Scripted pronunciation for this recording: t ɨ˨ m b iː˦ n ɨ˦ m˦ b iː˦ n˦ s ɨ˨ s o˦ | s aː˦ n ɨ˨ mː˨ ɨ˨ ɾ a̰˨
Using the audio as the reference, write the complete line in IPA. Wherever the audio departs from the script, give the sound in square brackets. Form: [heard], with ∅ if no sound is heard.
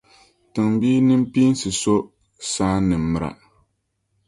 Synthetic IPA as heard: t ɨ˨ [ŋ] b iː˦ n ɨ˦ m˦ [p] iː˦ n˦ s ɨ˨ s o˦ | s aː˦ n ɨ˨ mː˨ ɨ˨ ɾ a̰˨